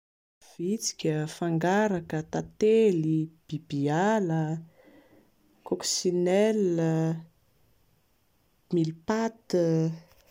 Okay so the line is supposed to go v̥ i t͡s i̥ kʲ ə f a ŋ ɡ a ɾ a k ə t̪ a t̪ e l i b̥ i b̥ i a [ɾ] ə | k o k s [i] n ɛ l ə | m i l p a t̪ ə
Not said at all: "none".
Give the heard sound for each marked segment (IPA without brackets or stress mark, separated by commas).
l, i